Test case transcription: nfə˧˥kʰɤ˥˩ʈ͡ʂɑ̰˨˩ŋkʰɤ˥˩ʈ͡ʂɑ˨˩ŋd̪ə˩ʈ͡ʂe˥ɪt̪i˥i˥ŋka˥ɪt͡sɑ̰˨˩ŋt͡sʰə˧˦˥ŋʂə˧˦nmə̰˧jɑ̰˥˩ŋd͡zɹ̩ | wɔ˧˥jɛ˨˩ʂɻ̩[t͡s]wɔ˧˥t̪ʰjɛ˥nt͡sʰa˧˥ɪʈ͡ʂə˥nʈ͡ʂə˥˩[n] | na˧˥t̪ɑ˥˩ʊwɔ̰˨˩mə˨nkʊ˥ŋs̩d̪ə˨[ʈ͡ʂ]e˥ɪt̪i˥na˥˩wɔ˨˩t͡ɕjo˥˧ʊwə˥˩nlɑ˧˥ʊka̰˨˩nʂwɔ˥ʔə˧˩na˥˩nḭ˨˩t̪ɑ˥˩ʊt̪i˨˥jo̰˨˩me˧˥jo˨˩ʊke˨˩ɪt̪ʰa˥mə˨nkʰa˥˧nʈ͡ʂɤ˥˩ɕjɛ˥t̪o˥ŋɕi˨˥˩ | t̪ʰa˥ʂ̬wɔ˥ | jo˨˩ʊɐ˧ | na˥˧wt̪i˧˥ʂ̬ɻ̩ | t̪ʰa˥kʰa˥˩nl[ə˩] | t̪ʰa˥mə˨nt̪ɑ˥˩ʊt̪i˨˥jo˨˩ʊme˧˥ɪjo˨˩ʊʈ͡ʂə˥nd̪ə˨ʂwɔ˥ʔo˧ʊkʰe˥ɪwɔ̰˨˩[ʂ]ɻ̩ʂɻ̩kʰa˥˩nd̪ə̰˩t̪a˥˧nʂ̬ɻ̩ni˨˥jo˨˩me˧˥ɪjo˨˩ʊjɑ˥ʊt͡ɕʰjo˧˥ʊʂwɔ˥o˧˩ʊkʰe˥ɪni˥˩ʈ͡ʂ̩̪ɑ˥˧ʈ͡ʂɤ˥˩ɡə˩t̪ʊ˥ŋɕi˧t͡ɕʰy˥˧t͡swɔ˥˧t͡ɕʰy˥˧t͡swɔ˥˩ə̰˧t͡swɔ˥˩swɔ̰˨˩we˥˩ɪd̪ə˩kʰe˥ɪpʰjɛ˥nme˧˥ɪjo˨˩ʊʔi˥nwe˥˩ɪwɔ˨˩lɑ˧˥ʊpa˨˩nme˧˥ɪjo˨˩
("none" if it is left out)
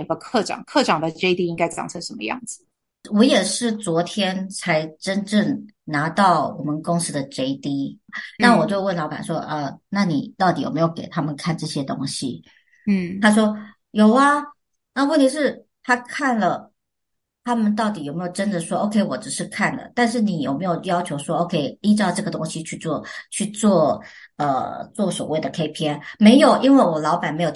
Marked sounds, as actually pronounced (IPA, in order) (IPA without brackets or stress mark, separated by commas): t͡s, ŋ, ʈ͡ʂ, ə˩, ʈ͡ʂ